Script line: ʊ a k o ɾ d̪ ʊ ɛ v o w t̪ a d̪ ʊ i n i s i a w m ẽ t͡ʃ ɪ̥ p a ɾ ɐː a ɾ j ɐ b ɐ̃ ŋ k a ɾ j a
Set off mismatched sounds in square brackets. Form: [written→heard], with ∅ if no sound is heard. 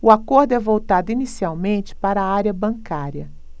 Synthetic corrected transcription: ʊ a k o ɾ d̪ ʊ ɛ v o w t̪ a d̪ ʊ i n i s i a w m ẽ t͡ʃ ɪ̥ p a ɾ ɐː a ɾ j ɐ b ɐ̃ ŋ k a ɾ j [a→ɐ]